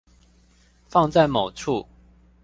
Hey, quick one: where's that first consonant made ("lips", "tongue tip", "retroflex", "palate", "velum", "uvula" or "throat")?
lips